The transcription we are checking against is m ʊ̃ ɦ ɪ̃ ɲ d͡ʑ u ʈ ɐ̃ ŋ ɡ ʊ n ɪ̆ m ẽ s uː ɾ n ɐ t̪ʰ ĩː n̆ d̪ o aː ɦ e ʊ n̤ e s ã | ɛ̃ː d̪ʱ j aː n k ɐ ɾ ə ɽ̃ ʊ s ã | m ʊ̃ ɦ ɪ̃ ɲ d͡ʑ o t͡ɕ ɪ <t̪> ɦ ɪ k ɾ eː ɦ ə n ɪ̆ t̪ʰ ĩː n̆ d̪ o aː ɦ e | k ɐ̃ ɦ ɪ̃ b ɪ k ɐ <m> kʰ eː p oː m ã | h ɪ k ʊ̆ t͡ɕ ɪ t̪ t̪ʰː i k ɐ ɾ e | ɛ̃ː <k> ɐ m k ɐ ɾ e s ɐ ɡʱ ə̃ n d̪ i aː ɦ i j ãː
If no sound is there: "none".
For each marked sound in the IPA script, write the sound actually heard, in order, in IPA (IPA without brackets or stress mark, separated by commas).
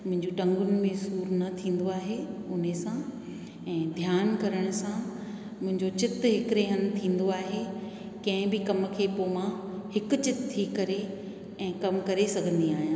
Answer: t̪, m, k